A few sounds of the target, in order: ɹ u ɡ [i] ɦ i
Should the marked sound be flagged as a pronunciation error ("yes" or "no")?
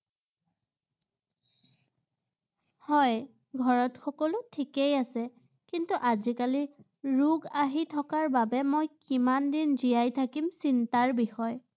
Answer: yes